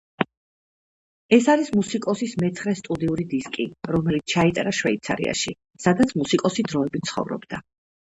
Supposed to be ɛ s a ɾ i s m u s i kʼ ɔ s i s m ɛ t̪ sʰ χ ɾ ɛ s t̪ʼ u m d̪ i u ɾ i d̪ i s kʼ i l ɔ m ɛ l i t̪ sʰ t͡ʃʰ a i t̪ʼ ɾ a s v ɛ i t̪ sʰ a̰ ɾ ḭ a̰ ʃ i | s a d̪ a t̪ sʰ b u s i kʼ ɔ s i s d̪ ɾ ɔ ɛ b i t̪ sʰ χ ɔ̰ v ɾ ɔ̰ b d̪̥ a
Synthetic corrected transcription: ɛ s a ɾ i s m u s i kʼ ɔ s i s m ɛ t̪ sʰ χ ɾ ɛ s t̪ʼ u d̪ i u ɾ i d̪ i s kʼ i ɾ ɔ m ɛ l i t̪ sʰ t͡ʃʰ a i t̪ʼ ɾ a ʃ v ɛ i t̪ sʰ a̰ ɾ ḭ a̰ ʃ i | s a d̪ a t̪ sʰ m u s i kʼ ɔ s i d̪ ɾ ɔ ɛ b i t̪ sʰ χ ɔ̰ v ɾ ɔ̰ b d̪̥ a